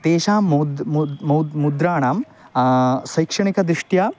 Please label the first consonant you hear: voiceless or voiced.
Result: voiceless